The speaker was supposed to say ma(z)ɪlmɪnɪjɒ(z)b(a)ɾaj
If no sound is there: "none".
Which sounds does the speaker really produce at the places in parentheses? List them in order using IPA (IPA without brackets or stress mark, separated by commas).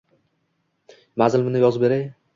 z, z, e